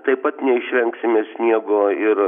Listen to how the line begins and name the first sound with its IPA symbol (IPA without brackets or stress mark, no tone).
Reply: t̪